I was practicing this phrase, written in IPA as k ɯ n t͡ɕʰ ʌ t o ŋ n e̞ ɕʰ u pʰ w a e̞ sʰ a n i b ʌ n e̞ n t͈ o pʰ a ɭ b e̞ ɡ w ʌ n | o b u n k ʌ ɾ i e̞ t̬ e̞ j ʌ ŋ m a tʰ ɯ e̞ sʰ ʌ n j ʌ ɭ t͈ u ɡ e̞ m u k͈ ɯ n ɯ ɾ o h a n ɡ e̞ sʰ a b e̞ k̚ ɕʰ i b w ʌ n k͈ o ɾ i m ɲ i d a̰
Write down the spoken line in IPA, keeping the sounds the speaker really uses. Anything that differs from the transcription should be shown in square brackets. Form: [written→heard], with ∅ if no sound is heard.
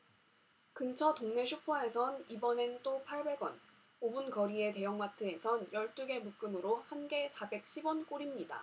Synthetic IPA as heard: k ɯ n t͡ɕʰ ʌ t o ŋ n e̞ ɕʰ u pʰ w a e̞ sʰ [a→ʌ] n i b ʌ n e̞ n t͈ o pʰ a ɭ b e̞ ɡ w ʌ n | o b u n k ʌ ɾ i e̞ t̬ e̞ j ʌ ŋ m a tʰ ɯ e̞ sʰ ʌ n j ʌ ɭ t͈ u ɡ e̞ m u k͈ ɯ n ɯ ɾ o h a n ɡ e̞ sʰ a b e̞ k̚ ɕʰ i b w ʌ n k͈ o ɾ i m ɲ i d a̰